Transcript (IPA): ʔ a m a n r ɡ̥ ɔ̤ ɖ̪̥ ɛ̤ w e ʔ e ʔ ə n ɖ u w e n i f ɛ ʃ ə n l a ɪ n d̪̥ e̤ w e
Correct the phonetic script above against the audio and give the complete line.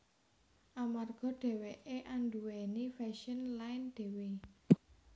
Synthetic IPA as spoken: ʔ a m a r ɡ̥ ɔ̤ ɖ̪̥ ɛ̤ w e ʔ e ʔ a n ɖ u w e n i f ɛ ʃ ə n l a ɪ n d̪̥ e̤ w e